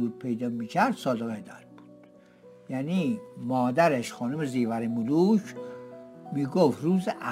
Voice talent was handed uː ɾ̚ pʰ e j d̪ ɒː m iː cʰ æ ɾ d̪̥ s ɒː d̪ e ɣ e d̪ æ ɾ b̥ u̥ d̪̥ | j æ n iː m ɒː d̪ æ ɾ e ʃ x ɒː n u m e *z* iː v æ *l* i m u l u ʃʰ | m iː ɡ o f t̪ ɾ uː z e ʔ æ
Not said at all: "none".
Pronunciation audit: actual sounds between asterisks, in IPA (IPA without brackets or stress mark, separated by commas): z, ɾ